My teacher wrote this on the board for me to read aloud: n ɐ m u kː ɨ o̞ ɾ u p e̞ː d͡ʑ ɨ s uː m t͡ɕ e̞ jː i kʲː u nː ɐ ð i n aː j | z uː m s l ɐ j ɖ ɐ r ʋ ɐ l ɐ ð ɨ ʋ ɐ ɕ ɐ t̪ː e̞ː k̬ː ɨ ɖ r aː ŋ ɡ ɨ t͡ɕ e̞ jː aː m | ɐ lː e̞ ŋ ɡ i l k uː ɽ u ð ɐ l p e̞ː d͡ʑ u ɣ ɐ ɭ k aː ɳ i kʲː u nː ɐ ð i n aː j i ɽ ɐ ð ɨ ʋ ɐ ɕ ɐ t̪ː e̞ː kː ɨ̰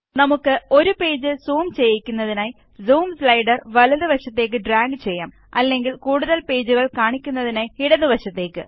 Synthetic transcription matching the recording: n ɐ m u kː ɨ o̞ ɾ u p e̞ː d͡ʑ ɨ s uː m t͡ɕ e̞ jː i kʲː u nː ɐ ð i n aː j | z uː m s l ɐ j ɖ ɐ r ʋ ɐ l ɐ ð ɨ ʋ ɐ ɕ ɐ t̪ː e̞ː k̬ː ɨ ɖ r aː ŋ ɡ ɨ t͡ɕ e̞ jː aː m | ɐ lː e̞ ŋ ɡ i l k uː ɽ u ð ɐ l p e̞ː d͡ʑ u ɣ ɐ ɭ k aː ɳ i kʲː u nː ɐ ð i n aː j i ɽ ɐ ð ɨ ʋ ɐ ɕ ɐ t̪ː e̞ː kː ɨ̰